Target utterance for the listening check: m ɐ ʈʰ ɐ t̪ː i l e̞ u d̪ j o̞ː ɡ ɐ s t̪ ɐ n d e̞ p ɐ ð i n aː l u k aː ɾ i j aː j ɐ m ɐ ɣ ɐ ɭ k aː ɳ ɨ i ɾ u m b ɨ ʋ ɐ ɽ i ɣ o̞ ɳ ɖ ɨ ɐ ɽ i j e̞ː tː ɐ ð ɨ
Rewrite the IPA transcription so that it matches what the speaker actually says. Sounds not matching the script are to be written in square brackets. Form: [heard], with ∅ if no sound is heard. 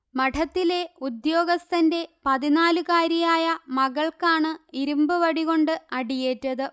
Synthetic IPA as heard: m ɐ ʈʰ ɐ t̪ː i l e̞ u d̪ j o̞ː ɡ ɐ s t̪ ɐ n d e̞ p ɐ ð i n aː l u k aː ɾ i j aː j ɐ m ɐ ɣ ɐ ɭ k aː ɳ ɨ i ɾ u m b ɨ ʋ ɐ ɽ i ɣ o̞ ɳ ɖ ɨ ɐ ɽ i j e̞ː tː ɐ ð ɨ